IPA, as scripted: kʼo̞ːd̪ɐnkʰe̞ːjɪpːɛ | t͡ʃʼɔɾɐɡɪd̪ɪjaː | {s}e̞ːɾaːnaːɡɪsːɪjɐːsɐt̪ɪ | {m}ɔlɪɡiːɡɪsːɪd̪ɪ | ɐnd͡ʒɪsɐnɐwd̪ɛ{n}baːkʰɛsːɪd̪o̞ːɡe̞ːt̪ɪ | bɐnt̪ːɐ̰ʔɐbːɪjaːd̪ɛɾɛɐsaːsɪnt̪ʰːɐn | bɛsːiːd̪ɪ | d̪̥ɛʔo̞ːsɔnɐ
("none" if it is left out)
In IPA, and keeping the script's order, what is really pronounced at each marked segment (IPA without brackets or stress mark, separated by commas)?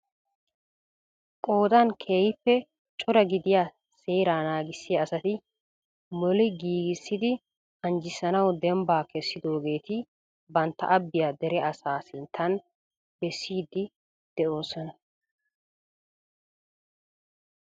s, m, m